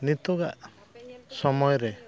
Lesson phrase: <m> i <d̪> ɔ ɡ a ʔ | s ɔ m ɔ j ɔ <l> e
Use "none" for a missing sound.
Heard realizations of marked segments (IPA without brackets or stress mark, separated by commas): n, t̪, ɾ